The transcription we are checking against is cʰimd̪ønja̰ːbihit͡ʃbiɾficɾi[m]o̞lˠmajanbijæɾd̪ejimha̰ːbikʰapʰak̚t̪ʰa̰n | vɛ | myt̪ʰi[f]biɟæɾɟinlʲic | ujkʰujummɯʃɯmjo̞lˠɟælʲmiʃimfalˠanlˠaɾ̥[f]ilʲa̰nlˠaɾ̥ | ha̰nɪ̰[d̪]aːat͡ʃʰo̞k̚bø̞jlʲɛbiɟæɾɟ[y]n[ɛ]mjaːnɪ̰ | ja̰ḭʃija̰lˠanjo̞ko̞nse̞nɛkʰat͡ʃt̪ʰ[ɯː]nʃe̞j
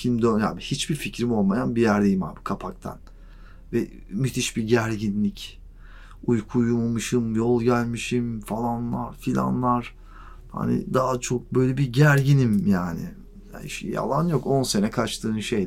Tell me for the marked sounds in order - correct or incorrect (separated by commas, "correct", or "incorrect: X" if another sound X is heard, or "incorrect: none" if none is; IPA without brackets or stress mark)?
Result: correct, incorrect: ʃ, correct, correct, incorrect: i, incorrect: i, correct